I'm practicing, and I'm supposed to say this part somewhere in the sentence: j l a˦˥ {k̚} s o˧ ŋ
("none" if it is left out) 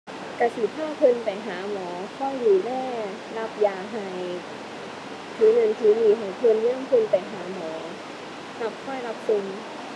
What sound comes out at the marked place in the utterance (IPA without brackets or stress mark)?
p̚